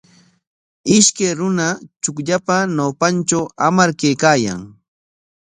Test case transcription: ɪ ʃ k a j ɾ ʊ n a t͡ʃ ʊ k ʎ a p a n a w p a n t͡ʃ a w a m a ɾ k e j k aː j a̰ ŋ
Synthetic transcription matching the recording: ɪ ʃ k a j ɾ ʊ n a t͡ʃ ʊ k ʎ a p a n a w p a n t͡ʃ a w a m a ɾ k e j k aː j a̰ ŋ